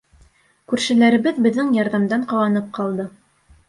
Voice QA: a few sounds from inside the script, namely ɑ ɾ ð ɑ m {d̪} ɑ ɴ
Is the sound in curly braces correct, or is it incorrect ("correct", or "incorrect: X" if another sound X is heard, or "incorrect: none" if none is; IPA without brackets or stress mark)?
correct